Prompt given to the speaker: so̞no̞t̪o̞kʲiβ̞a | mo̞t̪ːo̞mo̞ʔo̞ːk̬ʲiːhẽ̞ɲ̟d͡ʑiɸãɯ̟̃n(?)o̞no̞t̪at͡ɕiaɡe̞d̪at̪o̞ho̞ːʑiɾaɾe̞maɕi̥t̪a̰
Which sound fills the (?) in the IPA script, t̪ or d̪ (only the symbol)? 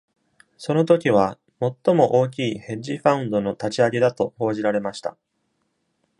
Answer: d̪